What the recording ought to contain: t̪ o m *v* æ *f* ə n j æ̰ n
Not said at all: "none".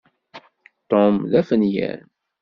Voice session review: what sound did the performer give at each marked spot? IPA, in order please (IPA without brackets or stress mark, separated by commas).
ð, f